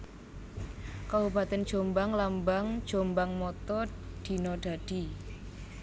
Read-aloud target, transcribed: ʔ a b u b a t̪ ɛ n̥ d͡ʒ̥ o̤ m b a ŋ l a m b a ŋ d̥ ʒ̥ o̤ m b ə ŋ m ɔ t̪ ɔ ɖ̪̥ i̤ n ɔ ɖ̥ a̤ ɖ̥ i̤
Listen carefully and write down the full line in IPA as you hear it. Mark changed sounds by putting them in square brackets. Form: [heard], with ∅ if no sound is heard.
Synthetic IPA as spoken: [k] a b u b a t̪ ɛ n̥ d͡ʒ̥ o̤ m b a ŋ l a m b a ŋ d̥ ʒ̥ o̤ m b [a] ŋ m ɔ t̪ ɔ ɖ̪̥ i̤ n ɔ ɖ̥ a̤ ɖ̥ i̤